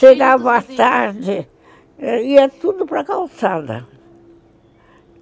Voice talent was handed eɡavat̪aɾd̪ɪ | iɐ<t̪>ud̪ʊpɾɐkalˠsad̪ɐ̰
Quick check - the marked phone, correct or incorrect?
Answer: correct